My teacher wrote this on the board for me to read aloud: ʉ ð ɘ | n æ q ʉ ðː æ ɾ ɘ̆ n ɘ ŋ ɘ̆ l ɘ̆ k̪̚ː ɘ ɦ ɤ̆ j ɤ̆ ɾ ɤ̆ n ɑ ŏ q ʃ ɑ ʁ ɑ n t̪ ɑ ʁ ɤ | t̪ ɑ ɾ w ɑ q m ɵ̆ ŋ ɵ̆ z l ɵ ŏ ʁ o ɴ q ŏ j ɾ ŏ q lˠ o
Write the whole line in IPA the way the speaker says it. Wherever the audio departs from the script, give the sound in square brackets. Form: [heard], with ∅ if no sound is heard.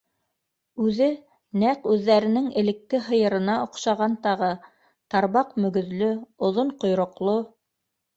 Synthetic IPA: ʉ ð ɘ | n æ q ʉ ðː æ ɾ ɘ̆ n ɘ ŋ ɘ̆ l ɘ̆ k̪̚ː ɘ ɦ ɤ̆ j ɤ̆ ɾ ɤ̆ n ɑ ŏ q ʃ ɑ ʁ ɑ n t̪ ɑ ʁ ɤ | t̪ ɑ ɾ [β] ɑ q m ɵ̆ [ɡ] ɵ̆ [ð] l ɵ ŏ [ð] o ɴ q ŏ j ɾ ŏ q lˠ o